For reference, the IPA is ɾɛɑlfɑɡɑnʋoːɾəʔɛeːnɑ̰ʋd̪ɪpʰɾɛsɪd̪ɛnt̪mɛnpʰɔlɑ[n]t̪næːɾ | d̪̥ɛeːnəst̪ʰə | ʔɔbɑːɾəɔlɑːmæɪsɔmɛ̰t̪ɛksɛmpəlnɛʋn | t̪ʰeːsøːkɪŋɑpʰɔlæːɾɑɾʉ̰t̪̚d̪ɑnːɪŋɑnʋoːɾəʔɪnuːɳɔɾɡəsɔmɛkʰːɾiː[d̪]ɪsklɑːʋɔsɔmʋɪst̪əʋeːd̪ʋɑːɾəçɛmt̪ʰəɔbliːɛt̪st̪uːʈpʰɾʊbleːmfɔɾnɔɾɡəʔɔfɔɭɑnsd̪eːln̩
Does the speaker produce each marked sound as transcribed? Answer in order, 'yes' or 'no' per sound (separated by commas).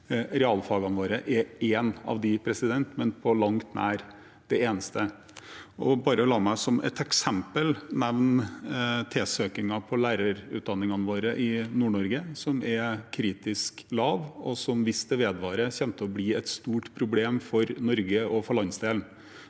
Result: no, no